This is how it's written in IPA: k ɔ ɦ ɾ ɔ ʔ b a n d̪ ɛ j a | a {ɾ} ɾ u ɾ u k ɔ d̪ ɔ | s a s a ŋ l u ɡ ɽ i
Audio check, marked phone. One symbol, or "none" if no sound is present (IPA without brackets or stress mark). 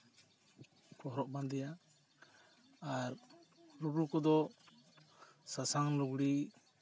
ɾ